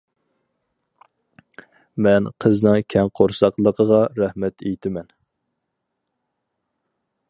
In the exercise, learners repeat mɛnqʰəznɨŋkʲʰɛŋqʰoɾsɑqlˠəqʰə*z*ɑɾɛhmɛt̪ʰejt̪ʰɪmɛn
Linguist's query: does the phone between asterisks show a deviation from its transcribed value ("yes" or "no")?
yes